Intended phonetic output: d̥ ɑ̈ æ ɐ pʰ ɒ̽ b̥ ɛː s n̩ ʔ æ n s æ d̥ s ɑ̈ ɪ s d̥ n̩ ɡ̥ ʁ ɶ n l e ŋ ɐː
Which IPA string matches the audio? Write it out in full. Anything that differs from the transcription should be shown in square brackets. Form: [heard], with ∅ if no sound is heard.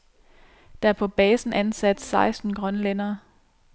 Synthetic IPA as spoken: d̥ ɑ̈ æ ɐ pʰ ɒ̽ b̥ ɛː s n̩ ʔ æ n s æ d̥ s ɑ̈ ɪ s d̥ n̩ ɡ̥ ʁ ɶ n l e [n] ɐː